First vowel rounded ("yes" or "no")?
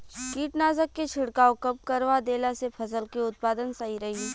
no